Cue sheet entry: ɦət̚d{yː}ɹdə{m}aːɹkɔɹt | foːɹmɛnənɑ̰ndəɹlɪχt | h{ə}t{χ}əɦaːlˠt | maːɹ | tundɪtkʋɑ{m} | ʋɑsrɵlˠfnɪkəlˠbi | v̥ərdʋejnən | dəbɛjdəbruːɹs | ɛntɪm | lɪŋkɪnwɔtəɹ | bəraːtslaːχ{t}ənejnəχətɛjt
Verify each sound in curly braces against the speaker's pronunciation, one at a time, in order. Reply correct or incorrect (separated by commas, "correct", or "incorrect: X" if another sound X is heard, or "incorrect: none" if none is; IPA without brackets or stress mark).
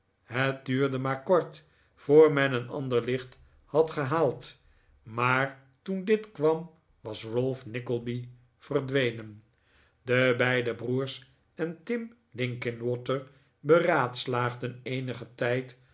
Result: correct, correct, incorrect: ɑ, correct, correct, incorrect: d